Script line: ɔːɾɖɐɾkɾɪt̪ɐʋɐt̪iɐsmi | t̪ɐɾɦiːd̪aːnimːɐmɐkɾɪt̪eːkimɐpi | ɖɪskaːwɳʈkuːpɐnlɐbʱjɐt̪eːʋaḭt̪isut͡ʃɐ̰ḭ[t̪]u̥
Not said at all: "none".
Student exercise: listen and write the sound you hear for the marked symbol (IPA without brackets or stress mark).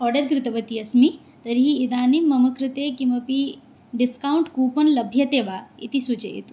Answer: t̪